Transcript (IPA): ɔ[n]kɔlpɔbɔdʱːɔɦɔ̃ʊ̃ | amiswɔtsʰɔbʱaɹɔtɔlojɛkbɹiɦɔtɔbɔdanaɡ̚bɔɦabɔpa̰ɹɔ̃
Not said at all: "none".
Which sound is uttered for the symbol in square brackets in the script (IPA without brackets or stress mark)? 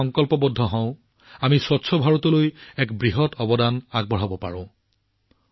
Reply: ŋ